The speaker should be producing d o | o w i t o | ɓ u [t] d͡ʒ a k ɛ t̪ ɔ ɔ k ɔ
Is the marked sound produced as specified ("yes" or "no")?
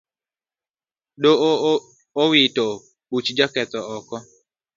no